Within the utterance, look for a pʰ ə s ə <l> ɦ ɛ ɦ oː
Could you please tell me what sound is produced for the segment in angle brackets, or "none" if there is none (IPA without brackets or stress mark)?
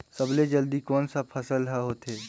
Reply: l